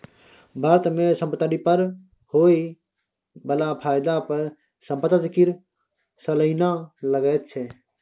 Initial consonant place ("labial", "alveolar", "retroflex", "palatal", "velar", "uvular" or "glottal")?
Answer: labial